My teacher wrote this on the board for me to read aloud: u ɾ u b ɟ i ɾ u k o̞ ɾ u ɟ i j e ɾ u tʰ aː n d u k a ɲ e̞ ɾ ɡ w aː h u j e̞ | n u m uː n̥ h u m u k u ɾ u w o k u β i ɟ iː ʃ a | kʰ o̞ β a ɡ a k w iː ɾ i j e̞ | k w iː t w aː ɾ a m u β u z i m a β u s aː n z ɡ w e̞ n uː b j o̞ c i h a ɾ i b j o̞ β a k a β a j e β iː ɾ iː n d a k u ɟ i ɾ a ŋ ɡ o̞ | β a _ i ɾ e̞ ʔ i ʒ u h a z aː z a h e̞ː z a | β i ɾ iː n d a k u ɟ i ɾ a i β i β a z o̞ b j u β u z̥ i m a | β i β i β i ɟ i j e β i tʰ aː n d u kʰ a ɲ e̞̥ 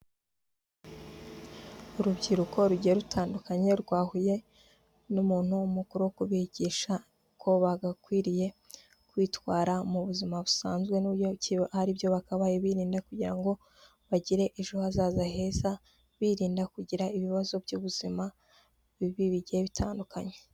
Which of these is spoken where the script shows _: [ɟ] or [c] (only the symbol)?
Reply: ɟ